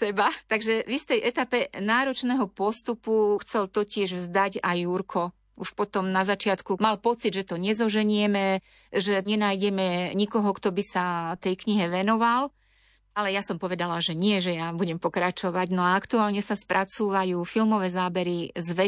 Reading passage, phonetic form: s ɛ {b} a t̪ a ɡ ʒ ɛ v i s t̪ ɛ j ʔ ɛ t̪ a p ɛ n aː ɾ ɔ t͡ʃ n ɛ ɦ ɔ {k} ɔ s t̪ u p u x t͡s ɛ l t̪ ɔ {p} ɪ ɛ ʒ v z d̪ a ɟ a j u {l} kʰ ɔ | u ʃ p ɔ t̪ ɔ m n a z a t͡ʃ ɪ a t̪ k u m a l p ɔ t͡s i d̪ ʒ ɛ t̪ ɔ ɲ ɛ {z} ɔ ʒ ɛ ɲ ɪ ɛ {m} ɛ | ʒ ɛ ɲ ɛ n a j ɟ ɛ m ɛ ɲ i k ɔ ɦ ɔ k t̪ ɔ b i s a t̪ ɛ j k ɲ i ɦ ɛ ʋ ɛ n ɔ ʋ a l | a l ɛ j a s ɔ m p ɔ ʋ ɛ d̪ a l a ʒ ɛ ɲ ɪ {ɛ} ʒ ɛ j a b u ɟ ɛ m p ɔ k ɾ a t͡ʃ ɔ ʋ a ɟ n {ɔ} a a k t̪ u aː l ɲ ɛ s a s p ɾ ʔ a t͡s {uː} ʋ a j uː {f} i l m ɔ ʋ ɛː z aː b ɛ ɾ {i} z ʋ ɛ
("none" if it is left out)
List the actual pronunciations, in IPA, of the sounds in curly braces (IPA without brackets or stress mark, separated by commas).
b, p, c, ɾ, z, m, ɛ, ɔ, uː, f, i